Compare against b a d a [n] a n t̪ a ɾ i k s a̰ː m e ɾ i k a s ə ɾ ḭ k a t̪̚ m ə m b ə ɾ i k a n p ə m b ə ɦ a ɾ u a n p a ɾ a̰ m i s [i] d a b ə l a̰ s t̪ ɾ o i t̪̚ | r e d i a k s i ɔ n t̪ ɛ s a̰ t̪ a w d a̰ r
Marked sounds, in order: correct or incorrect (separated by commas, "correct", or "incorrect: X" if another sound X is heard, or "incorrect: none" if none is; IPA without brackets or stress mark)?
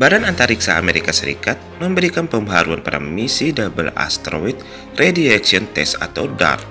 correct, correct